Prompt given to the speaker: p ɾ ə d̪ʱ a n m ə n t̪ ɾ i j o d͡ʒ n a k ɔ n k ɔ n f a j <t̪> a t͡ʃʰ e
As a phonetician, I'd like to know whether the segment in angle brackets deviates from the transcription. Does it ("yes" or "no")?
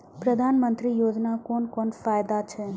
yes